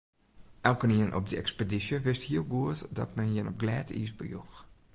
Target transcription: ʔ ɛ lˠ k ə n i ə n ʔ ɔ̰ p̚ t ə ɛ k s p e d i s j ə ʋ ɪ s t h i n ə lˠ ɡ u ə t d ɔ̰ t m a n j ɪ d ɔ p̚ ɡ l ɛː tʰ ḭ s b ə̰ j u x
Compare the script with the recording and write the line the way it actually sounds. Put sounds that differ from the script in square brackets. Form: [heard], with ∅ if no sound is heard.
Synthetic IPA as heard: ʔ ɛ lˠ k ə n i ə n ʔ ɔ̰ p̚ [d] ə ɛ k s p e d i s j ə ʋ ɪ s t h i [∅] ə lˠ ɡ u ə t d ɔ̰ t m [ɛ] n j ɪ [n] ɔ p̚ ɡ l ɛː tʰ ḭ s b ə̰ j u x